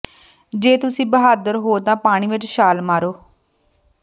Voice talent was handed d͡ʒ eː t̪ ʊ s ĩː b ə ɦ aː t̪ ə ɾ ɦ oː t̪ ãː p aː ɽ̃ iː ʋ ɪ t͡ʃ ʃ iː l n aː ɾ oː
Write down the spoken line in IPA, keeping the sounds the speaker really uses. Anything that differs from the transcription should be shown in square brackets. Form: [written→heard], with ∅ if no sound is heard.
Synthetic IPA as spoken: d͡ʒ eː t̪ ʊ s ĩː b ə ɦ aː [t̪→d̪] ə ɾ ɦ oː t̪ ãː p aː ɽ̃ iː ʋ ɪ t͡ʃ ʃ [iː→aː] l [n→m] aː ɾ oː